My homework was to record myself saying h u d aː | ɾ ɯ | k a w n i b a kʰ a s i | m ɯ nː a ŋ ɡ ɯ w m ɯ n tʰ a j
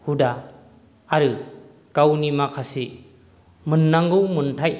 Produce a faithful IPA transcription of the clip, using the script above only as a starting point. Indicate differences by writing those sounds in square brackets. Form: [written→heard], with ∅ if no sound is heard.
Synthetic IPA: h u d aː | ɾ ɯ | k a w n i [b→m] a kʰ a s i | m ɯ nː a ŋ ɡ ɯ w m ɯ n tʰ a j